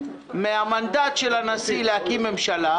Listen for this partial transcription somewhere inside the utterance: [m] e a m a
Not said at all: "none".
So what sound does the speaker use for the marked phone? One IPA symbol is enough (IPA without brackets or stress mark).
m